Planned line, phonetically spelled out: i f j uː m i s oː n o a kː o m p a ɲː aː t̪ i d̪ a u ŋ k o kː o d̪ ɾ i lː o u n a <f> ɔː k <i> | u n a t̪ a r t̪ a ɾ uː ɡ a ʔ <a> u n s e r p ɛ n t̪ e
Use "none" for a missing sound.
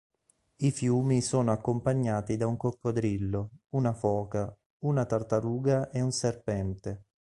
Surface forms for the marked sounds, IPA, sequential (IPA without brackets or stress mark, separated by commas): f, a, e